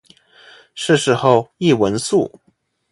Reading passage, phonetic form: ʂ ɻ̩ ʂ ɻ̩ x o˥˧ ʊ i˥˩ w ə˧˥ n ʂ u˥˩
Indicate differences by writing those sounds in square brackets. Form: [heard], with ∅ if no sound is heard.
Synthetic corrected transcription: ʂ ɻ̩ ʂ ɻ̩ x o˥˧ ʊ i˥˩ w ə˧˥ n [s] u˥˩